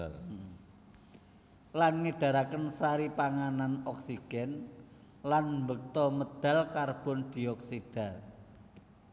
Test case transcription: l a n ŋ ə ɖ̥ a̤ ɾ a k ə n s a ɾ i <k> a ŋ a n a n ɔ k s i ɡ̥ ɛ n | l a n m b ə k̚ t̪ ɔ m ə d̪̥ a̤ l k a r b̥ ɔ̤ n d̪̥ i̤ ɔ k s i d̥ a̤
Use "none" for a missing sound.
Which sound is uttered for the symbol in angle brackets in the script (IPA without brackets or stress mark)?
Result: p